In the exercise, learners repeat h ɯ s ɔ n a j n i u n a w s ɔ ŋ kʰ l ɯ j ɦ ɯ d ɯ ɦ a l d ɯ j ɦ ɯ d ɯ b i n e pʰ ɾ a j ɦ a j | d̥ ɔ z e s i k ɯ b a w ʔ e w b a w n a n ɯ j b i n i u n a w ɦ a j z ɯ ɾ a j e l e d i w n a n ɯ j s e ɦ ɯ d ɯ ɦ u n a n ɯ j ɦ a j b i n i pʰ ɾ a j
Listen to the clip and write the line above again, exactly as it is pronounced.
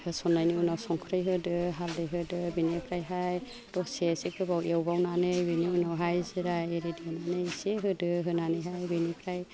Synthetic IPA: h ɯ s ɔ n a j n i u n a w s ɔ ŋ kʰ ɾ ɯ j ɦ ɯ d ɯ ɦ a l d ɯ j ɦ ɯ d ɯ b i n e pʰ ɾ a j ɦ a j | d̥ ɔ s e s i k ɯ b a w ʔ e w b a w n a n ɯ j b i n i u n a w ɦ a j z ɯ ɾ a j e ɾ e d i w n a n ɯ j s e ɦ ɯ d ɯ ɦ ɯ n a n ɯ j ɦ a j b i n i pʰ ɾ a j